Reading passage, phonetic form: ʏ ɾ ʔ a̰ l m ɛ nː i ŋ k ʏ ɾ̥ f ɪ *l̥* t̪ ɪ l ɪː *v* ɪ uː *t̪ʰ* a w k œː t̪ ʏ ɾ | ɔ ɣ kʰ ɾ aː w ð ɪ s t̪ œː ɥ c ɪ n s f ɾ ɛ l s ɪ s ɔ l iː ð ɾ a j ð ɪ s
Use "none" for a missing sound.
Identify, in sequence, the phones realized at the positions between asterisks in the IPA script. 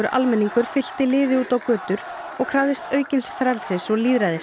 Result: l̥, ð, t̪

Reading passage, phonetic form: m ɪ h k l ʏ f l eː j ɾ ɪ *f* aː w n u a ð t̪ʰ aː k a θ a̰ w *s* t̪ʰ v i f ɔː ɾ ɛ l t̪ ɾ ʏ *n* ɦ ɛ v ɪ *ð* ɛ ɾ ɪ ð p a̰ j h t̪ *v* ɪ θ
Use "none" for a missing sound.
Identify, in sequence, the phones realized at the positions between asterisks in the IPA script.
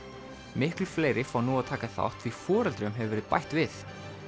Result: f, h, m, v, v

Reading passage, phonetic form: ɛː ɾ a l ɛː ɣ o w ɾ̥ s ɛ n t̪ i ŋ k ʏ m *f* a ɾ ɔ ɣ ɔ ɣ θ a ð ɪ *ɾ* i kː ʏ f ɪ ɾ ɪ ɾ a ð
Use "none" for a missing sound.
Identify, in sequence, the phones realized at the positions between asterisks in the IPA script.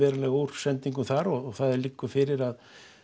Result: θ, l

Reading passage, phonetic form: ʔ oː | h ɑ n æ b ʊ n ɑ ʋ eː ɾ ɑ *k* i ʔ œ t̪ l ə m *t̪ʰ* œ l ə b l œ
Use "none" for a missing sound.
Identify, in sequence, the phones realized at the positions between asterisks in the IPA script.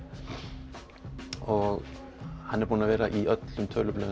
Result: ʔ, t̪ʰ

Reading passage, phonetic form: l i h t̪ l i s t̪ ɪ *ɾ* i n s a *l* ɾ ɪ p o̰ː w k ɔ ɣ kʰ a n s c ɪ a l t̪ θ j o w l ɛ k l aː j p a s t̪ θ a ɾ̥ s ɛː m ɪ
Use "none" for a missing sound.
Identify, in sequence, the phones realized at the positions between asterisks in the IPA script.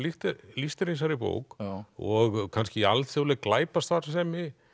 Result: ɾ, none

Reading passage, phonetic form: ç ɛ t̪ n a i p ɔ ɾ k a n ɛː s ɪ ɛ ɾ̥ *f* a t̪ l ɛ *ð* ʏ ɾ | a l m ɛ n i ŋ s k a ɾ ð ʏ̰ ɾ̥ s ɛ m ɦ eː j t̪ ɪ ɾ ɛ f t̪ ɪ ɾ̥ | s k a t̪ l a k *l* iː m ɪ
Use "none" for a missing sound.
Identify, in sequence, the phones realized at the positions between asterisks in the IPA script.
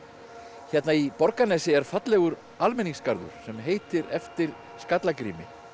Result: f, ɣ, ɾ

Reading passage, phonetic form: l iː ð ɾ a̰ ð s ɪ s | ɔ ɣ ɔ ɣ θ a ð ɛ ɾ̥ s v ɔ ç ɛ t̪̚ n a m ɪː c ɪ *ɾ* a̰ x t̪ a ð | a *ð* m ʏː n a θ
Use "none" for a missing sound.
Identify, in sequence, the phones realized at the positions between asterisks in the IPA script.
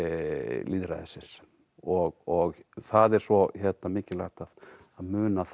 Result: l, ð

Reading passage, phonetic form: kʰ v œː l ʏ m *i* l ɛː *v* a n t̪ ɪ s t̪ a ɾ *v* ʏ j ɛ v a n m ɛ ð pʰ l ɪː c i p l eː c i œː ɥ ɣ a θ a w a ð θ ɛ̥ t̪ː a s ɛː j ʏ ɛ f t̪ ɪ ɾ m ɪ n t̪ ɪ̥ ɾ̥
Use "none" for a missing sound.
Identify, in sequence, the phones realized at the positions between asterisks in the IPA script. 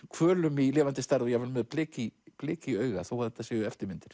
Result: i, v, ð

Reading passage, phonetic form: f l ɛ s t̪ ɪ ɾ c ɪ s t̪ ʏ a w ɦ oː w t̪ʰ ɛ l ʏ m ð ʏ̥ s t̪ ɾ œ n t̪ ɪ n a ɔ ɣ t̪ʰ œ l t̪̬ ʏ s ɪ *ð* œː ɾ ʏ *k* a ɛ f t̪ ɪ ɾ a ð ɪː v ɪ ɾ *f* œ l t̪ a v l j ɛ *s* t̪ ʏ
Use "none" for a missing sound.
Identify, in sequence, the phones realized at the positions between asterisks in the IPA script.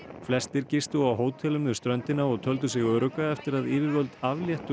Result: ɣ, k, v, h

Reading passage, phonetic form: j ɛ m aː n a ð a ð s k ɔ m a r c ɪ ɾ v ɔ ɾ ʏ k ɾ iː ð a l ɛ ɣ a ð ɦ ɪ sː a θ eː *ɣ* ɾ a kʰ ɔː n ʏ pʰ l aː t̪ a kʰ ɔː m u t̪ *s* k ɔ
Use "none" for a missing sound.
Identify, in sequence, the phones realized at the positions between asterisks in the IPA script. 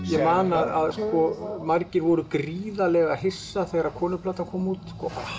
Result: ɣ, s

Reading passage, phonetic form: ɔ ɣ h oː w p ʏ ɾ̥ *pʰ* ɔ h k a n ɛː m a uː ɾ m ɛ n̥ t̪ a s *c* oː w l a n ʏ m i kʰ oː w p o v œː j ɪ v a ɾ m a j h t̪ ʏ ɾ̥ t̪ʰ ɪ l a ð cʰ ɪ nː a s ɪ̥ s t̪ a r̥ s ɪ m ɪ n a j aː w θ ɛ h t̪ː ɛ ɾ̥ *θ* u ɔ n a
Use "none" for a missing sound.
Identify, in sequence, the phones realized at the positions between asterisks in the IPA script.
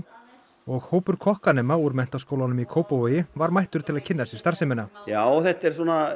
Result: kʰ, k, s

